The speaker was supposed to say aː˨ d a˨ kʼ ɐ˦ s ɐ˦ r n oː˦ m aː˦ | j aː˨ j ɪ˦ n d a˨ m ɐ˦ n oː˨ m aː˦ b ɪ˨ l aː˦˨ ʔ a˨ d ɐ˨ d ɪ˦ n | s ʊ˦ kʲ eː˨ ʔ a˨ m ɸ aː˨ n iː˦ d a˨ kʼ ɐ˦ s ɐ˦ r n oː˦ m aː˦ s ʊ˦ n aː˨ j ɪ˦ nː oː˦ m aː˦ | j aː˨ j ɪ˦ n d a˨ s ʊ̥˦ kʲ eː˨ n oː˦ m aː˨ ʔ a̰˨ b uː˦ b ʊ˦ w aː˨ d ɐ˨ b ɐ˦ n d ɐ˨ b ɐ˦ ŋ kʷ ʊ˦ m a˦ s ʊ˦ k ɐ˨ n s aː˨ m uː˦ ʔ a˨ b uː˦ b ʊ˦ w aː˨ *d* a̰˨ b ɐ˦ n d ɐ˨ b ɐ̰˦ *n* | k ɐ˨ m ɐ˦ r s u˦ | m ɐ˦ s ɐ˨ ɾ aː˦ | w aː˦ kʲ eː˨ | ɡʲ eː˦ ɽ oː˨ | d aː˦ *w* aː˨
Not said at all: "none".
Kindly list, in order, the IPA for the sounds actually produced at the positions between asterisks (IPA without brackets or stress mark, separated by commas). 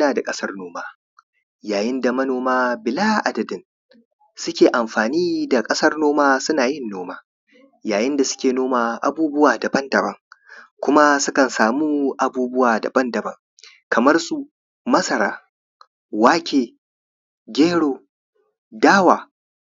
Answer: d, ŋ, w